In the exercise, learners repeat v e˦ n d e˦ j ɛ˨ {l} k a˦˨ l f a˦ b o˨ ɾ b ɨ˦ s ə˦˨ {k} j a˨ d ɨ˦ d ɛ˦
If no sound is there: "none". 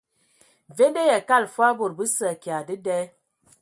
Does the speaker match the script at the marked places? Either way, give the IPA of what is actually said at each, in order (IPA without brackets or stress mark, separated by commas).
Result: none, k